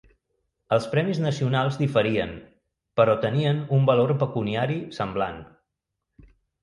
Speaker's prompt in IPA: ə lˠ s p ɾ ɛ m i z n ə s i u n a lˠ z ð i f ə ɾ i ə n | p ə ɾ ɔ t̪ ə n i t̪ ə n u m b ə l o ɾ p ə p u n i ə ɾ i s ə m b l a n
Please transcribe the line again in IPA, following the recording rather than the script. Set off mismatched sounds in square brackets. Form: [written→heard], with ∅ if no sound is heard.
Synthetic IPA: ə lˠ s p ɾ ɛ m i z n ə s i u n a lˠ z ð i f ə ɾ i ə n | p ə ɾ ɔ t̪ ə n i [t̪→∅] ə n u m b ə l o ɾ p ə [p→k] u n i [ə→a] ɾ i s ə m b l a n